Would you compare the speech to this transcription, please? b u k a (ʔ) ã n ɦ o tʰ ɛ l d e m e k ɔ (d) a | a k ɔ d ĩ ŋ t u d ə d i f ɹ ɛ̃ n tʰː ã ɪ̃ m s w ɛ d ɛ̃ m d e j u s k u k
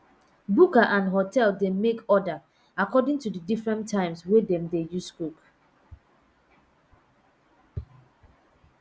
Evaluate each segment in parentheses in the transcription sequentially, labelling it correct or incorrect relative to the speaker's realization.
correct, correct

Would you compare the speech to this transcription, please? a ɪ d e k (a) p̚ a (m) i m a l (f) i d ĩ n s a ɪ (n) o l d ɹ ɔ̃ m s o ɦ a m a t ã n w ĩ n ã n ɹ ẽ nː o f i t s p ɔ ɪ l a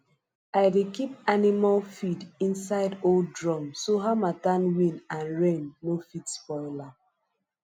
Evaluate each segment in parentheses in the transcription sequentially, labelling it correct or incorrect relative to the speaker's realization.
incorrect, incorrect, correct, incorrect

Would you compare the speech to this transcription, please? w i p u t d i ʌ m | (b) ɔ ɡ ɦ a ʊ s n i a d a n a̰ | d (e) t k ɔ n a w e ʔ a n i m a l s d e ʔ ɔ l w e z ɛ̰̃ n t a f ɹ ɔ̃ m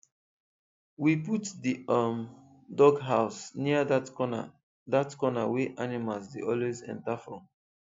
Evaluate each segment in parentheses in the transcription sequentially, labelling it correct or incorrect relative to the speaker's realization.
incorrect, incorrect

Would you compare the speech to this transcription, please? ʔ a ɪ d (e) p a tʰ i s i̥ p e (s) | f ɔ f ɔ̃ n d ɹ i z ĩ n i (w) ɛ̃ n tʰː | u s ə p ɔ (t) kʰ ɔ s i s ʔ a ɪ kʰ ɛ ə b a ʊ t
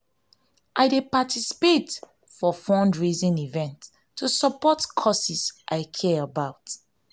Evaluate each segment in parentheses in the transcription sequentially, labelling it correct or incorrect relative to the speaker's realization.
correct, incorrect, incorrect, correct

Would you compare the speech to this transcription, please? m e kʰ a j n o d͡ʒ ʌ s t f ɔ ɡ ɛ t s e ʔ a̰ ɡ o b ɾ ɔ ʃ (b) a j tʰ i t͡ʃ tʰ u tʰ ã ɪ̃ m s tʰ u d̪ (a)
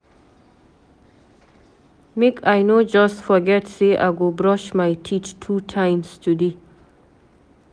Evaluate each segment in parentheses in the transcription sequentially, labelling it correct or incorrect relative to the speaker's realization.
incorrect, incorrect

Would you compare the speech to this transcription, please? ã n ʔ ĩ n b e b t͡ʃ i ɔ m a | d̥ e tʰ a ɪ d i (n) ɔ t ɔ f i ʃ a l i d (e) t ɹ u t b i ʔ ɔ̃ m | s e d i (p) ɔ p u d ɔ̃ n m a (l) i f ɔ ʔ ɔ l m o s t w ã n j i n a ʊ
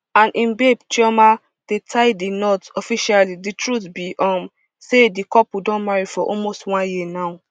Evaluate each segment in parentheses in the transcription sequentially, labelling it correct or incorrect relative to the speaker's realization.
correct, incorrect, incorrect, incorrect

